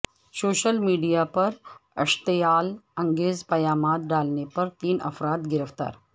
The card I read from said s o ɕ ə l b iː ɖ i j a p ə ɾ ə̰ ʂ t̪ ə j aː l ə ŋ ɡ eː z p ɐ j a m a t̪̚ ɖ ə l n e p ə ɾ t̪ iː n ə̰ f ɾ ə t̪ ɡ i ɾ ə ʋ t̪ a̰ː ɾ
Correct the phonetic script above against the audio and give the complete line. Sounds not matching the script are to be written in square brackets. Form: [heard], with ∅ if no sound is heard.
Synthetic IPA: s o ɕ ə l [m] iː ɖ i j a p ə ɾ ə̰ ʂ t̪ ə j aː l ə ŋ ɡ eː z p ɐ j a m a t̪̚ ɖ [a] l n e p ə ɾ t̪ iː n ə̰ f ɾ [a] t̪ ɡ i ɾ ə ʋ t̪ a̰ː ɾ